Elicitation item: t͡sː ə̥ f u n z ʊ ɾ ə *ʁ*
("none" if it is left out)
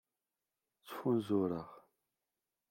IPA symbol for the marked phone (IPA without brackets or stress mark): ʁ